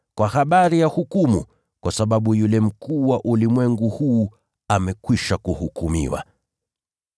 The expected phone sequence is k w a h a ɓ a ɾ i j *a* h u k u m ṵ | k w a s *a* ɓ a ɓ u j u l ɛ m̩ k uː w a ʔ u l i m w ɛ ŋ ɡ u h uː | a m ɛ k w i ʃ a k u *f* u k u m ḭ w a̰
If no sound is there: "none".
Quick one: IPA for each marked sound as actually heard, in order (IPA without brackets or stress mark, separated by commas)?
a, a, h